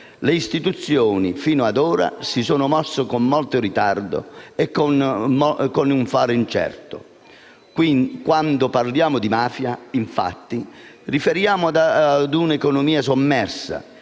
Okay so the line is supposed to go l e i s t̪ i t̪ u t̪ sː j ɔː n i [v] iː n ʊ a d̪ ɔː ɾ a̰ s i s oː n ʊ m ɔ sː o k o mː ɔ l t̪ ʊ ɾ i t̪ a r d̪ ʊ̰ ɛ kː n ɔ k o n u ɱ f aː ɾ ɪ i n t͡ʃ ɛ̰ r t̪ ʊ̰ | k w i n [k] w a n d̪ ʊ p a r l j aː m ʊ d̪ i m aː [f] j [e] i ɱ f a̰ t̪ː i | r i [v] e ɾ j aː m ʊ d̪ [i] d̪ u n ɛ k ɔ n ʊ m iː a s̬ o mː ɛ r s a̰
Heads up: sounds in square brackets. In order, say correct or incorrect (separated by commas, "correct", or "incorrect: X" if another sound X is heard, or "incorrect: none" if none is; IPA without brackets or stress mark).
incorrect: f, correct, correct, incorrect: a, incorrect: f, incorrect: a